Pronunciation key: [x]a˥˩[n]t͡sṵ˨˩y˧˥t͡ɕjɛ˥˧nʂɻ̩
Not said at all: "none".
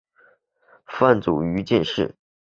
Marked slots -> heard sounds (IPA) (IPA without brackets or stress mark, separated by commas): f, n